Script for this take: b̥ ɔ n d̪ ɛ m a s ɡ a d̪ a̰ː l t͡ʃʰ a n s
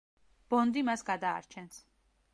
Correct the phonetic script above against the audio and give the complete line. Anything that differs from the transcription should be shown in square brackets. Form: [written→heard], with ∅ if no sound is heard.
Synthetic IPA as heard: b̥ ɔ n d̪ [ɛ→i] m a s ɡ a d̪ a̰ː [l→ɾ] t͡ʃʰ [a→ɛ] n s

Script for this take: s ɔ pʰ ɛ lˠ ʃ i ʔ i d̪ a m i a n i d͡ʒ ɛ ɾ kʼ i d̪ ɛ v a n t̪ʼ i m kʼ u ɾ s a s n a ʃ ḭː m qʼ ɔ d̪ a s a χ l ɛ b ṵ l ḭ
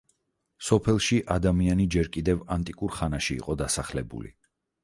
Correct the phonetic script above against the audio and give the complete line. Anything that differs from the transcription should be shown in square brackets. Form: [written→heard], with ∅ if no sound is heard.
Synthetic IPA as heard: s ɔ pʰ ɛ lˠ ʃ i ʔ [i→a] d̪ a m i a n i d͡ʒ ɛ ɾ kʼ i d̪ ɛ v a n t̪ʼ i [m→∅] kʼ u ɾ [s→χ] a [s→∅] n a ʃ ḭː [m→∅] qʼ ɔ d̪ a s a χ l ɛ b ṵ l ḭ

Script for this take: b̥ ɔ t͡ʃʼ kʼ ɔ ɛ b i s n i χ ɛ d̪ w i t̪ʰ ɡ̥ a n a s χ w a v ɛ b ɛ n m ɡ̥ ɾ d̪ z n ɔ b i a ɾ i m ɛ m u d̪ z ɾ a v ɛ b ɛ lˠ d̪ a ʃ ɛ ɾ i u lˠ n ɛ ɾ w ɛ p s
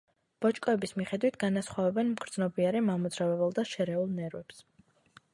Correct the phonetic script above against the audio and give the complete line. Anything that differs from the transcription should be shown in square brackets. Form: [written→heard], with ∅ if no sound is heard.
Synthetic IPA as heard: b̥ ɔ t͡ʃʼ kʼ ɔ ɛ b i s [n→m] i χ ɛ d̪ w i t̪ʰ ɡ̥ a n a s χ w a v ɛ b ɛ n m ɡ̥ ɾ d̪ z n ɔ b i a ɾ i m [ɛ→a] m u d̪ z ɾ a v ɛ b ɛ lˠ d̪ a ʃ ɛ ɾ [i→ɛ] u lˠ n ɛ ɾ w ɛ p s

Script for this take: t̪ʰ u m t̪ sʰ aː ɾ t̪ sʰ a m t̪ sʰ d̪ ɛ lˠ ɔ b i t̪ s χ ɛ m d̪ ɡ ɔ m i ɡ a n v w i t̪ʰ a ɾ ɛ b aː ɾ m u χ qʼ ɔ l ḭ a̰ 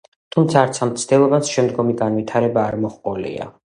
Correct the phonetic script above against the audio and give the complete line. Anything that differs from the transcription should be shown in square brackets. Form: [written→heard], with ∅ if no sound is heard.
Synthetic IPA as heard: t̪ʰ u m t̪ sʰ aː ɾ t̪ sʰ a m t̪ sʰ d̪ ɛ lˠ ɔ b [i→a] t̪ s [χ→ʃ] ɛ m d̪ ɡ ɔ m i ɡ a n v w i t̪ʰ a ɾ ɛ b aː ɾ m [u→ɔ] χ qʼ ɔ l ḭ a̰

